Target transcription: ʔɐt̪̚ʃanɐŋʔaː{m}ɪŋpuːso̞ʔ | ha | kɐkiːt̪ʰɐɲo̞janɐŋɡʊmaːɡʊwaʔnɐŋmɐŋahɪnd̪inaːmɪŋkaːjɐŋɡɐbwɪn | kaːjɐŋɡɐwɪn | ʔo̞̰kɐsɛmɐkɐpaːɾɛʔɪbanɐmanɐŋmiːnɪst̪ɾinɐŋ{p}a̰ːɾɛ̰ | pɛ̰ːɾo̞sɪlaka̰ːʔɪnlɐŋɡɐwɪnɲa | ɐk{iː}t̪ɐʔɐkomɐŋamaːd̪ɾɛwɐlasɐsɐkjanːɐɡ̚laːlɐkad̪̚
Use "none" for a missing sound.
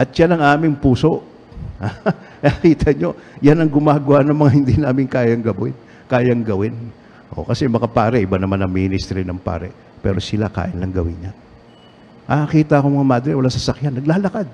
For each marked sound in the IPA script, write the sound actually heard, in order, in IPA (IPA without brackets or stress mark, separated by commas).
m, p, iː